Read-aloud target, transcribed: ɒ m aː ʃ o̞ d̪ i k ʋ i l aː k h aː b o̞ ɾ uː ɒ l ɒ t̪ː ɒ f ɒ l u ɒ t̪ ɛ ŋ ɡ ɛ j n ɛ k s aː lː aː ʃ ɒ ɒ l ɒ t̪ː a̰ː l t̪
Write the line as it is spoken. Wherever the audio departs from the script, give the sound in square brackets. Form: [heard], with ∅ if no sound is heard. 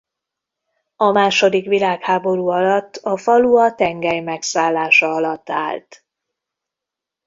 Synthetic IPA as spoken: ɒ m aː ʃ o̞ d̪ i k ʋ i l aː k h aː b o̞ ɾ uː ɒ l ɒ t̪ː ɒ f ɒ l u ɒ t̪ ɛ ŋ ɡ ɛ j [m] ɛ k s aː lː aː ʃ ɒ ɒ l ɒ t̪ː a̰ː l t̪

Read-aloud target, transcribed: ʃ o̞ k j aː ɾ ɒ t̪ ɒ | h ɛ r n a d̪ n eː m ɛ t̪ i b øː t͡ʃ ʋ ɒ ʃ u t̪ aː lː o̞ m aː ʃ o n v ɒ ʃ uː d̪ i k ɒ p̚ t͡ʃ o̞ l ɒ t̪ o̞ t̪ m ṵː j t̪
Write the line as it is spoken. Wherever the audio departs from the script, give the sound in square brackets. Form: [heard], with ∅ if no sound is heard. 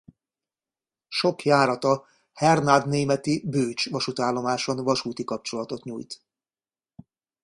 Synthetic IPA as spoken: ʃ o̞ k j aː ɾ ɒ t̪ ɒ | h ɛ r n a d̪ n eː m ɛ t̪ i b øː t͡ʃ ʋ ɒ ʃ u t̪ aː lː o̞ m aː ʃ o n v ɒ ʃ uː [t̪] i k ɒ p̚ t͡ʃ o̞ l ɒ t̪ o̞ t̪ [ɲ] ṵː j t̪

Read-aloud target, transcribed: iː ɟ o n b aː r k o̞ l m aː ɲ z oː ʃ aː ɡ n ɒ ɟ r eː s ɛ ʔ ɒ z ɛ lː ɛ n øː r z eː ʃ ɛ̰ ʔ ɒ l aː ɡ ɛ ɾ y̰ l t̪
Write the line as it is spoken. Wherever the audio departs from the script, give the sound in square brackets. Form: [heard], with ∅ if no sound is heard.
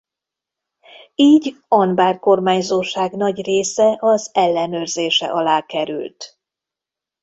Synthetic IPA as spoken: iː ɟ [ɒ] n b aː r k o̞ [r] m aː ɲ z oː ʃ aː ɡ n ɒ ɟ r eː s ɛ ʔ ɒ z ɛ lː ɛ n øː r z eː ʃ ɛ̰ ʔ ɒ l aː [k] ɛ ɾ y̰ l t̪

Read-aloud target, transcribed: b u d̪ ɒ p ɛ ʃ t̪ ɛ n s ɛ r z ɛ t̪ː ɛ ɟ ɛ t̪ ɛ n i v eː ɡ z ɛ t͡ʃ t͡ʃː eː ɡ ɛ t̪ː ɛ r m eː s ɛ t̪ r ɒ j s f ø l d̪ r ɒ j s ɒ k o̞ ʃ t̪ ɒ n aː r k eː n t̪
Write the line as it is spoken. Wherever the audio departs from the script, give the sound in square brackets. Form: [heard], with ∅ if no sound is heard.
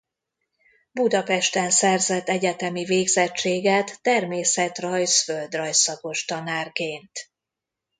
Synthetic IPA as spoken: b u d̪ ɒ p ɛ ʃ t̪ ɛ n s ɛ r z ɛ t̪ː ɛ ɟ ɛ t̪ ɛ [m] i v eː ɡ z ɛ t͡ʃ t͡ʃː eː ɡ ɛ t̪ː ɛ r m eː s ɛ t̪ r ɒ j s f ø l d̪ r ɒ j s ɒ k o̞ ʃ t̪ ɒ n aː r k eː n t̪

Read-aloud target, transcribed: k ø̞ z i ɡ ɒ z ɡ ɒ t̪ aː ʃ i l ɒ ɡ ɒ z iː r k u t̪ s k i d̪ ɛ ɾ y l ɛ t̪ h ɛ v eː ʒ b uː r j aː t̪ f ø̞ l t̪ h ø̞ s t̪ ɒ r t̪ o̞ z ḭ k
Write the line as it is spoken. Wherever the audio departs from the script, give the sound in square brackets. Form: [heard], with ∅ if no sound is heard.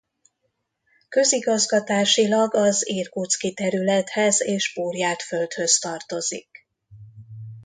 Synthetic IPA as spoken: k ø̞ z i ɡ ɒ z ɡ ɒ t̪ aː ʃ i l ɒ ɡ ɒ z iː r k u t̪ s k i [t̪] ɛ ɾ y l ɛ t̪ h ɛ [z] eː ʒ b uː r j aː t̪ f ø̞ l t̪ h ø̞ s t̪ ɒ r t̪ o̞ z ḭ k

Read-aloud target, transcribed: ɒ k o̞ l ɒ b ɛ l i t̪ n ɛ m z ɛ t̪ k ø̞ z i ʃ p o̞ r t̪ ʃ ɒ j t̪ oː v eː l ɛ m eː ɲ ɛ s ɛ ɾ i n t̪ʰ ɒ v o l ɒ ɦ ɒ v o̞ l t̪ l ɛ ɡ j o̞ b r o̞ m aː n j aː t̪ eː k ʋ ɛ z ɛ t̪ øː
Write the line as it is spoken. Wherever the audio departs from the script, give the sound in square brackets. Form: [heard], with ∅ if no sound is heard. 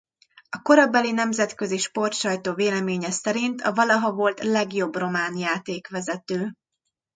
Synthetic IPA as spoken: ɒ k o̞ [ɾ] ɒ b ɛ l i [∅] n ɛ m z ɛ t̪ k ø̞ z i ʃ p o̞ r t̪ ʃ ɒ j t̪ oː v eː l ɛ m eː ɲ ɛ s ɛ ɾ i n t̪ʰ ɒ v [ɒ] l ɒ ɦ ɒ v o̞ l t̪ l ɛ ɡ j o̞ b r o̞ m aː n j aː t̪ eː k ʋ ɛ z ɛ t̪ øː

